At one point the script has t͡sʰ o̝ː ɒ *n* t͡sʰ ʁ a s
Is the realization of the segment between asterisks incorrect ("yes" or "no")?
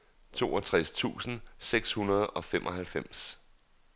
yes